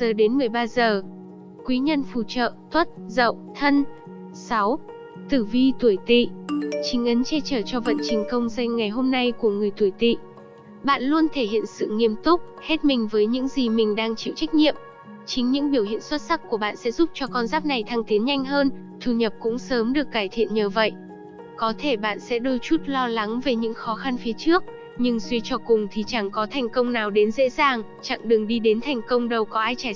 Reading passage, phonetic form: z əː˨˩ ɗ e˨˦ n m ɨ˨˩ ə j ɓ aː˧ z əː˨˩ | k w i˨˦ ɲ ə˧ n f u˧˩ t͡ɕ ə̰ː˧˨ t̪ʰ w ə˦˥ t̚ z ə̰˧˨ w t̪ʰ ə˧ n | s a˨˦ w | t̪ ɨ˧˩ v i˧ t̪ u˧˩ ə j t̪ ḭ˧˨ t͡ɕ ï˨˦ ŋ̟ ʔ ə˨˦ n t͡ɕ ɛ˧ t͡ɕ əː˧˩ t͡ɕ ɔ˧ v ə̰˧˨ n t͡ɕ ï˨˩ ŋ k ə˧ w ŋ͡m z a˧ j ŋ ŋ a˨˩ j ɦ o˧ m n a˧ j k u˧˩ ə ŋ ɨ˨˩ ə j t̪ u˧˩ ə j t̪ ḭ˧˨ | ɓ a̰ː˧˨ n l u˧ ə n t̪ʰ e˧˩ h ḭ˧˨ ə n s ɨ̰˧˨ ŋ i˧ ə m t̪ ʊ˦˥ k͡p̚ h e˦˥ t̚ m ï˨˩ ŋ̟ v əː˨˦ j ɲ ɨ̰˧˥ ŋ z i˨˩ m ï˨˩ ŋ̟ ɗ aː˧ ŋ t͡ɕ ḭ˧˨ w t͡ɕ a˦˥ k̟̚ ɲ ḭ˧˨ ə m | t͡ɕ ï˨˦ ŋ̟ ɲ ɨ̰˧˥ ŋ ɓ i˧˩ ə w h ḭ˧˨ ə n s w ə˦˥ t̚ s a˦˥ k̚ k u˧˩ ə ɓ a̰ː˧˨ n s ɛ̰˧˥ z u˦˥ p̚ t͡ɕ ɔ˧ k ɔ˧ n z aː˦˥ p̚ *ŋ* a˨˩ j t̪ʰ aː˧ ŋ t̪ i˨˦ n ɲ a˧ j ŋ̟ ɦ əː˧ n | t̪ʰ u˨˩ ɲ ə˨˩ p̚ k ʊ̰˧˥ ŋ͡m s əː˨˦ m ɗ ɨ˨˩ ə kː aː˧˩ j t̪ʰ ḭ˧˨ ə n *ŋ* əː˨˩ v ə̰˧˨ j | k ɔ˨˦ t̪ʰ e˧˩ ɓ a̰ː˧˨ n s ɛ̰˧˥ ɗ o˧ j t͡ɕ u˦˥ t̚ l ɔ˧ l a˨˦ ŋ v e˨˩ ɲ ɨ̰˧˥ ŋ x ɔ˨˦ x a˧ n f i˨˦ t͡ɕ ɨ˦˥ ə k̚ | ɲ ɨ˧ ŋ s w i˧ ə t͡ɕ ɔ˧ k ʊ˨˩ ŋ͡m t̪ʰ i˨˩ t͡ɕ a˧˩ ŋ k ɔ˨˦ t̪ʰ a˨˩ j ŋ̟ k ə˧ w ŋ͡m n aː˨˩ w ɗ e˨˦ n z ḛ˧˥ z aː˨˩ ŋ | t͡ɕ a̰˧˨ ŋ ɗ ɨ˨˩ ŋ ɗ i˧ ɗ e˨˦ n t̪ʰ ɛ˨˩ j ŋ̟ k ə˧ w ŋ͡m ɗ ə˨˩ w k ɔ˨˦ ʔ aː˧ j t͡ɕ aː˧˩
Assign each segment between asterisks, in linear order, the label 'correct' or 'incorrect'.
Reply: incorrect: n, incorrect: ɲ

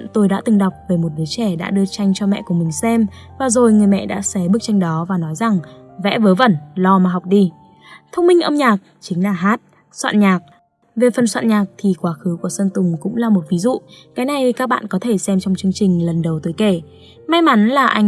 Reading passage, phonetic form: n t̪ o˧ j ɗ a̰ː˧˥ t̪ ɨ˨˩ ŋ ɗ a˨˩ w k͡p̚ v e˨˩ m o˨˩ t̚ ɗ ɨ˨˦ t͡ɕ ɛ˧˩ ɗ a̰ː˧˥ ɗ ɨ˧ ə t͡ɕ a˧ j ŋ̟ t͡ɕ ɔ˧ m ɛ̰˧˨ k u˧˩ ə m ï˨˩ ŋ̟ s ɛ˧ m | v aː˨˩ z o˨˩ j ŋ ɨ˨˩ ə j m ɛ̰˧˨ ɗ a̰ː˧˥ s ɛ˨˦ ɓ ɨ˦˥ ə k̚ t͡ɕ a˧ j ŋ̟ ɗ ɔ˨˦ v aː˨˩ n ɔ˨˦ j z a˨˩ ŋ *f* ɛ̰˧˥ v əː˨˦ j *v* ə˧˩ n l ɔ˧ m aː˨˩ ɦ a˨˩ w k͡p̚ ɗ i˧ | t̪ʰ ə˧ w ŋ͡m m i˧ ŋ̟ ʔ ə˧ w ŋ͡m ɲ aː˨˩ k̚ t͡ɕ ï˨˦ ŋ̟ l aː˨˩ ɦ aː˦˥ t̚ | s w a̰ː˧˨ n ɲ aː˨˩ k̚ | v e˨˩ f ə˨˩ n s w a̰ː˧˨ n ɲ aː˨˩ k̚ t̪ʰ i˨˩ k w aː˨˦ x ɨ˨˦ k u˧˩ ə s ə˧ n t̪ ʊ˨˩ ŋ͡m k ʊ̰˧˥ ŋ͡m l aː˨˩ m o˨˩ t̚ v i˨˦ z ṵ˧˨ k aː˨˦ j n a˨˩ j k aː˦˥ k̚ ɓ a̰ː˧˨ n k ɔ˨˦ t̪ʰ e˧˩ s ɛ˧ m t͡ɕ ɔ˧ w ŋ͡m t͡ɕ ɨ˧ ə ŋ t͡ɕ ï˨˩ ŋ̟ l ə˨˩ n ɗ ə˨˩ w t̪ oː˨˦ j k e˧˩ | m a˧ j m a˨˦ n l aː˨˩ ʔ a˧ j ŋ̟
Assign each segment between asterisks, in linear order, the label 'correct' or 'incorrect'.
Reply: incorrect: v, correct

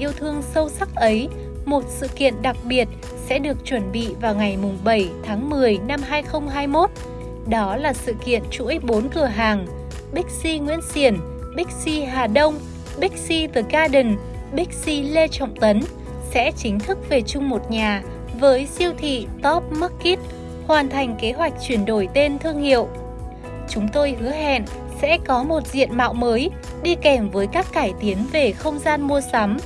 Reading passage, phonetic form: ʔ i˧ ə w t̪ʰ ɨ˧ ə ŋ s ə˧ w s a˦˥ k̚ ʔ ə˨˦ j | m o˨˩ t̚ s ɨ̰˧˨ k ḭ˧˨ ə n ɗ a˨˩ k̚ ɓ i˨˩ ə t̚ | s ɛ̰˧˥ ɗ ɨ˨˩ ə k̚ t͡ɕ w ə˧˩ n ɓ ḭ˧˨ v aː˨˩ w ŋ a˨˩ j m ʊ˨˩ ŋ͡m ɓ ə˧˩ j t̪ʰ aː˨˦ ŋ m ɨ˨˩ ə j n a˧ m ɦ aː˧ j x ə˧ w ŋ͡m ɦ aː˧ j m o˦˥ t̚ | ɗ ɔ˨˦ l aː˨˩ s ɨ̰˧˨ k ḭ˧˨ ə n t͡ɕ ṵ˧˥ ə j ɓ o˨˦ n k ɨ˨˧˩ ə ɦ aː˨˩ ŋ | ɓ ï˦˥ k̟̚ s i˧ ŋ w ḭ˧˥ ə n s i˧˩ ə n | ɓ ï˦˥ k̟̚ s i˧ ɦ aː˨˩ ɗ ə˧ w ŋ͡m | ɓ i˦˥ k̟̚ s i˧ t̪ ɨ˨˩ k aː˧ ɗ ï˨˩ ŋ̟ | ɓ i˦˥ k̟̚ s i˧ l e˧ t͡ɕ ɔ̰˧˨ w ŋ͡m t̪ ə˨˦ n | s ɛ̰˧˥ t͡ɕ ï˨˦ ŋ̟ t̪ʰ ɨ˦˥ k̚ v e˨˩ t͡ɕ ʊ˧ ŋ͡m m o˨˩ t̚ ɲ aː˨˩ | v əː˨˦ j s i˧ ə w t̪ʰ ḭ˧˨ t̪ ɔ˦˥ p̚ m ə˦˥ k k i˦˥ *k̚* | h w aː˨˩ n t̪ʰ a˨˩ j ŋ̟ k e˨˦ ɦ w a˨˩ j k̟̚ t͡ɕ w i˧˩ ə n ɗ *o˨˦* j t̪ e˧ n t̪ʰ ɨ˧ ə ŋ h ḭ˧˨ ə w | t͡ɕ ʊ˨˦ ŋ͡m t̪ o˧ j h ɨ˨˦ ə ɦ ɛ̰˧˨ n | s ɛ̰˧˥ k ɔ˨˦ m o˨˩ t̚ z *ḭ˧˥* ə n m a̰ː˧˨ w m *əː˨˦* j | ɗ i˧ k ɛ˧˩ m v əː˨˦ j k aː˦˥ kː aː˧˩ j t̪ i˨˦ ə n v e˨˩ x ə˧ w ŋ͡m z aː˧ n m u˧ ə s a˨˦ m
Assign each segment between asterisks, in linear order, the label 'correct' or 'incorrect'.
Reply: incorrect: t̚, incorrect: o˧˩, incorrect: ḭ˧˨, correct

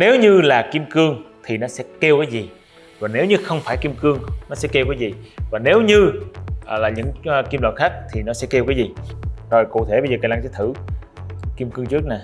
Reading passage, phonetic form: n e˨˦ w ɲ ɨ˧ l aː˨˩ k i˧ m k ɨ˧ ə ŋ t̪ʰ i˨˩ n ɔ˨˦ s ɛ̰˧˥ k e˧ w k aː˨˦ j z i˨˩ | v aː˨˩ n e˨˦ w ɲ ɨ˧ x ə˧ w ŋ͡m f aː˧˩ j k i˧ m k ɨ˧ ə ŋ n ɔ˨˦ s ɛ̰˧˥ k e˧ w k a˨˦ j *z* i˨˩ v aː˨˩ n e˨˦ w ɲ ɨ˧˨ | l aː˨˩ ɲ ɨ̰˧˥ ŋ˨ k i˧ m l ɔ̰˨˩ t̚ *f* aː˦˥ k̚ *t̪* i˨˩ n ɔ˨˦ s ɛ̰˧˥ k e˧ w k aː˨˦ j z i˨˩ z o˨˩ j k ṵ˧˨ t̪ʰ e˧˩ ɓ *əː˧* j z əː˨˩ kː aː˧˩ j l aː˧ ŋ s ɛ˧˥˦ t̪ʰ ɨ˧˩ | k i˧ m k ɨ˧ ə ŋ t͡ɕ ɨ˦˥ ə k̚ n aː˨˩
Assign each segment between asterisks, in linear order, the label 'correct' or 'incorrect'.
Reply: correct, incorrect: x, incorrect: t̪ʰ, incorrect: ə˧

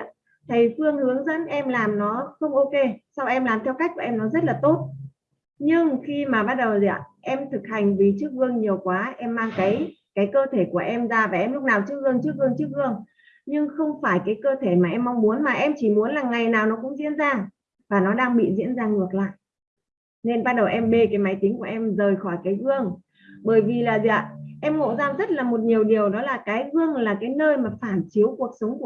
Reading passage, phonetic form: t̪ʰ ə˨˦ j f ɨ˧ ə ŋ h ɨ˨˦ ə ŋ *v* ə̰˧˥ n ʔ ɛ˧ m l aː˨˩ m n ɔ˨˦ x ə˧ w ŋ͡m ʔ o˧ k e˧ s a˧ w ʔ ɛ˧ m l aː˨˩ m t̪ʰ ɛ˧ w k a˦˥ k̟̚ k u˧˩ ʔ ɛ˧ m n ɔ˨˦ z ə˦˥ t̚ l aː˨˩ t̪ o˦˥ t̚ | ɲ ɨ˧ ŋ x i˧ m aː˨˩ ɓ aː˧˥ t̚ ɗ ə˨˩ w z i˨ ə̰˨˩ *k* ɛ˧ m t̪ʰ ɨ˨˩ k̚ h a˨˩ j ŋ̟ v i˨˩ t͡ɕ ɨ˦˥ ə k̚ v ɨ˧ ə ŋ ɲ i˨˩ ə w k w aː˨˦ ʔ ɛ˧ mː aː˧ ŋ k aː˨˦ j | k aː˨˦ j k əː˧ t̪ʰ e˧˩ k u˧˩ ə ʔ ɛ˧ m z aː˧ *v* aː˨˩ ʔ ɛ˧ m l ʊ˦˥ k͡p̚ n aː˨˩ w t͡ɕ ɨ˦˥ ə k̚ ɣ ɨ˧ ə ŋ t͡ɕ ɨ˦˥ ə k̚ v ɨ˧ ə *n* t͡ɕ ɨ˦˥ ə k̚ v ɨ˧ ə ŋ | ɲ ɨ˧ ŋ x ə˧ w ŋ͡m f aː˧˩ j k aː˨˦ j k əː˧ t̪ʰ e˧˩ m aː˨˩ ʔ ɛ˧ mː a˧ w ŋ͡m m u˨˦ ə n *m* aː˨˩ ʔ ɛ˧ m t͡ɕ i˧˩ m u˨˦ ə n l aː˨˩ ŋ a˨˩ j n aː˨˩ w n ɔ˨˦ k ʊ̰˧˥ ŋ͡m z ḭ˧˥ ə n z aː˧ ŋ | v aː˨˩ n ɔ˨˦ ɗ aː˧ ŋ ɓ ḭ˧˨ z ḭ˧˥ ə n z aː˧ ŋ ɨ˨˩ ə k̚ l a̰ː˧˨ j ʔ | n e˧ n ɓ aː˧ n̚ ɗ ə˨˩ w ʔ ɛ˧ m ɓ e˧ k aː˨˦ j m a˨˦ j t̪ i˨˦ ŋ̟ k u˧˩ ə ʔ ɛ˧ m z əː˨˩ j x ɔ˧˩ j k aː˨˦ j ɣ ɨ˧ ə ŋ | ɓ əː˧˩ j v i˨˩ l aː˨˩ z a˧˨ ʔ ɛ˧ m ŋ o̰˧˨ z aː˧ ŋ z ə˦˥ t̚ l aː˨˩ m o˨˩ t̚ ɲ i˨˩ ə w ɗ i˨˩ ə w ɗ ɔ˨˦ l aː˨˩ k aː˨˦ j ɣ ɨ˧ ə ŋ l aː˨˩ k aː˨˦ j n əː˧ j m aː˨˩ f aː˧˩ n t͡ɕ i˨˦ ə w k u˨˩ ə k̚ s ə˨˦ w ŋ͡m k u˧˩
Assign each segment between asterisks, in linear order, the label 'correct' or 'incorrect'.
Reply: incorrect: z, incorrect: ʔ, correct, incorrect: ŋ, correct

